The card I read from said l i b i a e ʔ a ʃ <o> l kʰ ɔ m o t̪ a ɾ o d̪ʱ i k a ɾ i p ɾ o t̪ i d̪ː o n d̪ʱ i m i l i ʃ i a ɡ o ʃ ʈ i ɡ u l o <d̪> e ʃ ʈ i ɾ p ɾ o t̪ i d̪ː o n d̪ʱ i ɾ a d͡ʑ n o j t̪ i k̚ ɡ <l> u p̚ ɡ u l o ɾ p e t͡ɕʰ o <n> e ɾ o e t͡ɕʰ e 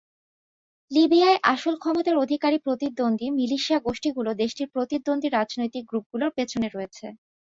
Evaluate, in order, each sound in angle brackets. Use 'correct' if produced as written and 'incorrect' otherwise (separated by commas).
correct, correct, incorrect, correct